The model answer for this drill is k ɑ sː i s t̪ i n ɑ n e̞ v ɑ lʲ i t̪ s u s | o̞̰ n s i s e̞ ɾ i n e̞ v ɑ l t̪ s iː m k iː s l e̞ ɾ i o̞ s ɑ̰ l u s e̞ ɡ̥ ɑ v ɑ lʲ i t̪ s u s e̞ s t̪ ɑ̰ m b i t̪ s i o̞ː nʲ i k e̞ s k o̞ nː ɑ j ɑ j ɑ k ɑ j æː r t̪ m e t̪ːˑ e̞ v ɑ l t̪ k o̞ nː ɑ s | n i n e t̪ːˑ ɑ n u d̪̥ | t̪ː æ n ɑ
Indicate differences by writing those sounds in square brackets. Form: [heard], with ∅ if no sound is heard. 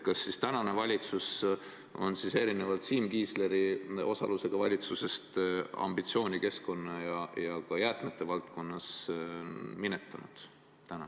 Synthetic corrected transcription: k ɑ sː i s t̪ [æ] n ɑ n e̞ v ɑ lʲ i t̪ s u s | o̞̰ n s i s e̞ ɾ i n e̞ v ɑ l t̪ s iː m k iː s l e̞ ɾ i o̞ s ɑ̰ l u s e̞ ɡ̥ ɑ v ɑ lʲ i t̪ s u s e̞ s t̪ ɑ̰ m b i t̪ s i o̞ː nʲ i k e̞ s k o̞ nː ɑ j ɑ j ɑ k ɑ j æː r t̪ m e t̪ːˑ e̞ v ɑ l t̪ k o̞ nː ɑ s | [m] i n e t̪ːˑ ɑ n u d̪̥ | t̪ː æ n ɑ

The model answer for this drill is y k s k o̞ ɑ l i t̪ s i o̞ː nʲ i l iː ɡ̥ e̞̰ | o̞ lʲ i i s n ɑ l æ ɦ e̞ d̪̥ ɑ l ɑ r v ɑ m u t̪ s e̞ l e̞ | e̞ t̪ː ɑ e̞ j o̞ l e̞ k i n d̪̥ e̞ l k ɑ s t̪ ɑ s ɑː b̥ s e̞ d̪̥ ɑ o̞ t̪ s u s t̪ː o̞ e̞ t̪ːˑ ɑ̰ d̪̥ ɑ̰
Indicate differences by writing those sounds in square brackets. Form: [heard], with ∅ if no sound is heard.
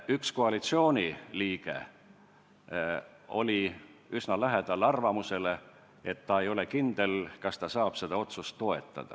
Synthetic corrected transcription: y k s k o̞ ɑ l i t̪ s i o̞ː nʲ i l iː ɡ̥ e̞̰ | o̞ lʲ i [y] s n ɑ l æ ɦ e̞ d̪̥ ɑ l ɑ r v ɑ m u [∅] s e̞ l e̞ | e̞ t̪ː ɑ e̞ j o̞ l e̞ k i n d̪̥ e̞ l k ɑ s t̪ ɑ s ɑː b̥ s e̞ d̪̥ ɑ o̞ t̪ s u s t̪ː o̞ e̞ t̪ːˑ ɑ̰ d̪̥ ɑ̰

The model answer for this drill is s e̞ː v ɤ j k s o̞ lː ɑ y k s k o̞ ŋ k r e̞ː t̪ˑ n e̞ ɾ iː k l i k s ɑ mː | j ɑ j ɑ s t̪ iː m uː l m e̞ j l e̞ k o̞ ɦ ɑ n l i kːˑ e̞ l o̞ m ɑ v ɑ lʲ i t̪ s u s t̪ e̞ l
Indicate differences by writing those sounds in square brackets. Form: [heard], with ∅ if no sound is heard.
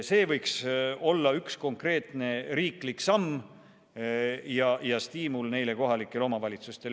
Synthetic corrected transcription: s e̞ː v ɤ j k s o̞ lː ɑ y k s k o̞ ŋ k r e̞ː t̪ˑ n e̞ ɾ iː k l i k s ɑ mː | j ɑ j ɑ s t̪ iː m [u] l [n] e̞ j l e̞ k o̞ ɦ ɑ [∅] l i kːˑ e̞ l o̞ m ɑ v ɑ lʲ i t̪ s u s t̪ e̞ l

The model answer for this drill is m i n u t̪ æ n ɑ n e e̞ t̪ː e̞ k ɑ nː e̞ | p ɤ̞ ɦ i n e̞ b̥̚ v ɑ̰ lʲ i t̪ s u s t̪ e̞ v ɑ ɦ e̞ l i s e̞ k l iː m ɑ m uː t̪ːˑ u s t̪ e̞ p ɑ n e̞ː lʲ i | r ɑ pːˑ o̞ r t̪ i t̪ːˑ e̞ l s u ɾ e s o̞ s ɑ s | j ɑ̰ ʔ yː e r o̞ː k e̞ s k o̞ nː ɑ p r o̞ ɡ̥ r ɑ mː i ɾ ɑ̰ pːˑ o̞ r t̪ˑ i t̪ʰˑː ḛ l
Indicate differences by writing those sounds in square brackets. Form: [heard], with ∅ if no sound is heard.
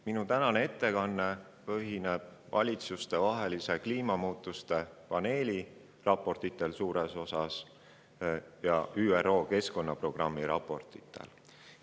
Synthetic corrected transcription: m i n u t̪ æ n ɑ n e e̞ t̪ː e̞ k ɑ nː e̞ | p ɤ̞ ɦ i n e̞ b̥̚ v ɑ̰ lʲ i t̪ s u s t̪ e̞ v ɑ ɦ e̞ l i s e̞ k l iː m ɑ m uː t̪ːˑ u s t̪ e̞ p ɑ n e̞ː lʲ i | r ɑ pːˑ o̞ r t̪ i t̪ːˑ e̞ l s [uː] ɾ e s o̞ s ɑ s | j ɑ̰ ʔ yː e r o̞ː k e̞ s k o̞ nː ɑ p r o̞ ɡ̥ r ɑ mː i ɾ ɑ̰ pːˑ o̞ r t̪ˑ i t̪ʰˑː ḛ l

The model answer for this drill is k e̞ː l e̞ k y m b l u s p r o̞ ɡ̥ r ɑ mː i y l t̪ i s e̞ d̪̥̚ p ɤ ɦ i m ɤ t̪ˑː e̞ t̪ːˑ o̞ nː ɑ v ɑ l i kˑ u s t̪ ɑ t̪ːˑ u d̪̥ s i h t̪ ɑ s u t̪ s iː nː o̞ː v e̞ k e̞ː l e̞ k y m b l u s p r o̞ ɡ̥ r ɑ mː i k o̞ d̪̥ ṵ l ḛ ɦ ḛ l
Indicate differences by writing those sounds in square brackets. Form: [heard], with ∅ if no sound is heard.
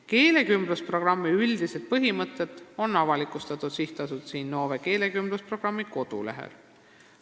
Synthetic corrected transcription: k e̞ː l e̞ k y m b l u s p r o̞ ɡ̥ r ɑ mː i y l [d̪] i s e̞ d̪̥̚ p ɤ ɦ i m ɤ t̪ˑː e̞ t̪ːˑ o̞ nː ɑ v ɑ l i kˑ u s t̪ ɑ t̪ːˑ u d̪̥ s i h t̪ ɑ s u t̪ s iː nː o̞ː v e̞ k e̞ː l e̞ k y m b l u s p r o̞ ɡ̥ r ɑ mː i k o̞ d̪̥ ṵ l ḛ ɦ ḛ l

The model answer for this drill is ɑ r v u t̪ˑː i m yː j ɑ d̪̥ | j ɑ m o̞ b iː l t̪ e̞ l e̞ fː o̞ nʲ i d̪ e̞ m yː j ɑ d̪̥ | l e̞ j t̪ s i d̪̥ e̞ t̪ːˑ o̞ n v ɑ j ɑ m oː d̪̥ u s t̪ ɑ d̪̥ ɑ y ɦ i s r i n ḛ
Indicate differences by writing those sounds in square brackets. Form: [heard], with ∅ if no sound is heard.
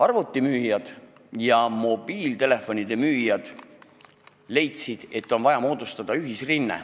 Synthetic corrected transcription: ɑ r v u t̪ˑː i m yː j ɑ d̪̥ | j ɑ m o̞ b iː l t̪ e̞ l e̞ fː o̞ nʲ i d̪ e̞ m yː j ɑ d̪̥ | l e̞ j t̪ s i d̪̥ e̞ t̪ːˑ o̞ n v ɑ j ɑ m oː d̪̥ u s t̪ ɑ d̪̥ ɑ y ɦ i s r i [nː] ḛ

